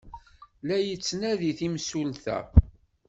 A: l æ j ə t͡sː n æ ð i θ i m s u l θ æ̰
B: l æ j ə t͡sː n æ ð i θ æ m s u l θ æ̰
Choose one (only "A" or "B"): A